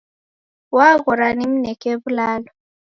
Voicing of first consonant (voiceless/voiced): voiced